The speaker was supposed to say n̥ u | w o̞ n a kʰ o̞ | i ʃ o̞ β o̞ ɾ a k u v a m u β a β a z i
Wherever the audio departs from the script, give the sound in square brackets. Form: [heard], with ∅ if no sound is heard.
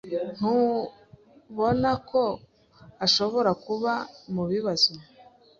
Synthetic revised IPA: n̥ u | [β] o̞ n a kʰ o̞ | [a] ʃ o̞ β o̞ ɾ a k u [β] a m u β [i] β a z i